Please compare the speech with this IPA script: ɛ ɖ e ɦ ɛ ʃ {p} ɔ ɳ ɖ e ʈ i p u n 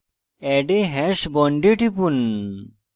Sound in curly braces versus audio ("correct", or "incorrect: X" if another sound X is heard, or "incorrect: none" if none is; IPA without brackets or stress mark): incorrect: b